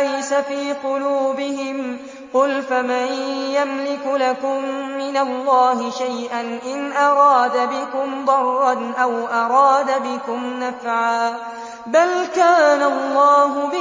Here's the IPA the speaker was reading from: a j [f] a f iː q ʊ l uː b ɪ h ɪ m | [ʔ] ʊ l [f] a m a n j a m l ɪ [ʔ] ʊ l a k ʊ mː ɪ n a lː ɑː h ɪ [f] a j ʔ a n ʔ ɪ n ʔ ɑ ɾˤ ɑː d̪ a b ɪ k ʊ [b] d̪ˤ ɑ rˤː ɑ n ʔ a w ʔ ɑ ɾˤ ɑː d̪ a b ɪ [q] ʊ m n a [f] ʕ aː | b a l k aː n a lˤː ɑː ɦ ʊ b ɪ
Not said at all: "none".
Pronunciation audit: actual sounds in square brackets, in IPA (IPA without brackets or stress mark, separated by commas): s, q, f, k, ʃ, m, k, f